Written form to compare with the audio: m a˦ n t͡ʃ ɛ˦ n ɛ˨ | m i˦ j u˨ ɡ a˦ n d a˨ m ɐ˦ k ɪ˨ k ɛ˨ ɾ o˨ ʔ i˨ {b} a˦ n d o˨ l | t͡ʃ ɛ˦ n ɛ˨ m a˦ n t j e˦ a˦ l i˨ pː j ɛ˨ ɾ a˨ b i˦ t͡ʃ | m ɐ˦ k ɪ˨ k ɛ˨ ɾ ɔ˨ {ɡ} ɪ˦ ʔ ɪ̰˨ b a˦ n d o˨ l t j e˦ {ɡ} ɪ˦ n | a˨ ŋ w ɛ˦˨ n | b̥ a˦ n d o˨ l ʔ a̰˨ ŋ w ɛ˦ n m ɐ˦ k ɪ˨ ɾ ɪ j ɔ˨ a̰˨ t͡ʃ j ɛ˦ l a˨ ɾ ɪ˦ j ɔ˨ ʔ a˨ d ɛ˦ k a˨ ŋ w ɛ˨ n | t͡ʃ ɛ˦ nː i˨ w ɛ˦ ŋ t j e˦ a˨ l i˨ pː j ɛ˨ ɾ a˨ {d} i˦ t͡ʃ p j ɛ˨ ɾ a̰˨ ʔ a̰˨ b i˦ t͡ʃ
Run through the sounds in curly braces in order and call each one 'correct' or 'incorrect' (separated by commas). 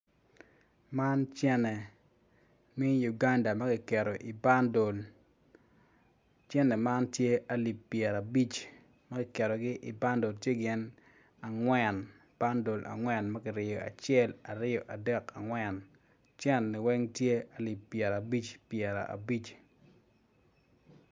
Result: correct, correct, correct, incorrect